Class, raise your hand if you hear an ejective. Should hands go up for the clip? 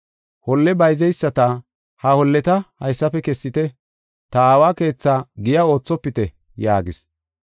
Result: no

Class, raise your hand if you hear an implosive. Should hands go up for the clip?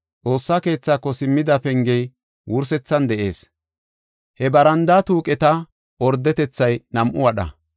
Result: yes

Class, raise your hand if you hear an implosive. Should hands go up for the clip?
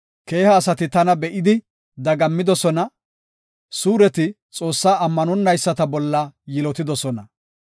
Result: no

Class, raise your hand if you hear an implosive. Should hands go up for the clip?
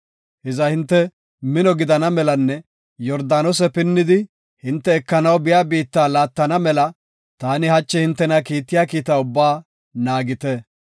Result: no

